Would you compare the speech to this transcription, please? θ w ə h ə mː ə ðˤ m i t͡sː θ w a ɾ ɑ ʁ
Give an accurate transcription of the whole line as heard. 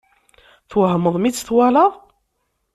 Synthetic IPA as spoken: θ w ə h ə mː ə ðˤ m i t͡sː θ w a l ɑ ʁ